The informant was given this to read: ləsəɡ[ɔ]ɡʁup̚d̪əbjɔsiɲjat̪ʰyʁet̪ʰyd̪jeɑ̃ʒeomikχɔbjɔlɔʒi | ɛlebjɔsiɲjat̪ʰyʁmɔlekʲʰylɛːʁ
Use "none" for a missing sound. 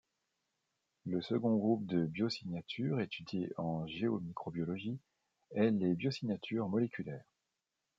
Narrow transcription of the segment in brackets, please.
ɔ̃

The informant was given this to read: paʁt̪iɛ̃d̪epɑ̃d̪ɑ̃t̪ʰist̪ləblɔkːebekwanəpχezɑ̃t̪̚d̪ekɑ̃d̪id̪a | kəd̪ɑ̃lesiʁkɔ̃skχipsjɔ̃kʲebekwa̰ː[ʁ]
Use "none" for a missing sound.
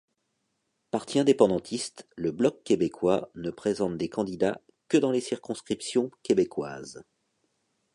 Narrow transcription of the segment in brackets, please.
z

